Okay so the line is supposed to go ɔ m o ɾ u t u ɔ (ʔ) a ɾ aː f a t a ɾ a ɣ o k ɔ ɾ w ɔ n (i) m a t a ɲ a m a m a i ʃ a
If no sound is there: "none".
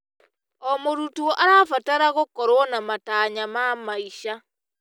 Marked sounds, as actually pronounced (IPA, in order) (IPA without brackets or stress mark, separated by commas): ʔ, a